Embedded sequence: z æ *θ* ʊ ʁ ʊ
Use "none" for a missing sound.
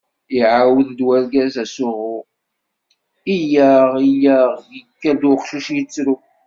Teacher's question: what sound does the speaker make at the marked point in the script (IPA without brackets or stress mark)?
s